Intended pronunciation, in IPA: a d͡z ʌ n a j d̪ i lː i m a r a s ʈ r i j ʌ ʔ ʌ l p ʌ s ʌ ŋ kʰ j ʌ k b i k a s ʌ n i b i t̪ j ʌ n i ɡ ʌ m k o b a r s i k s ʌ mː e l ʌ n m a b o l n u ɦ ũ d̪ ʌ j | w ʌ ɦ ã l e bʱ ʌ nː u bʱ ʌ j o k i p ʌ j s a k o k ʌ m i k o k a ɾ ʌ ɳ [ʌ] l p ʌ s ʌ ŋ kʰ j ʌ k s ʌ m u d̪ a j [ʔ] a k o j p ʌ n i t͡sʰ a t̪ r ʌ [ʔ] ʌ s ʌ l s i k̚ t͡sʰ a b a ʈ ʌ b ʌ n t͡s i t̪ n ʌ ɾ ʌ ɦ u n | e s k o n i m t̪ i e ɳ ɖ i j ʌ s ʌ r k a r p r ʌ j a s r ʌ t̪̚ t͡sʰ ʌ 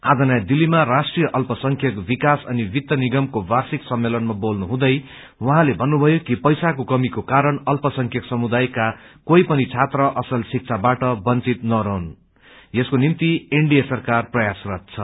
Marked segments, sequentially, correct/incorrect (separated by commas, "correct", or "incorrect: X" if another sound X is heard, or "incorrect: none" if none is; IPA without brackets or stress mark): correct, incorrect: k, correct